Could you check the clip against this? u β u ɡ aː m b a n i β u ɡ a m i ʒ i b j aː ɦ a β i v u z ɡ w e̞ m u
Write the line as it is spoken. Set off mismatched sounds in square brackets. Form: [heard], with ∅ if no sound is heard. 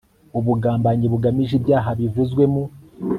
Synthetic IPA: u β u ɡ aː m b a [ɲ] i β u ɡ a m i ʒ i b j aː ɦ a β i v u z ɡ w e̞ m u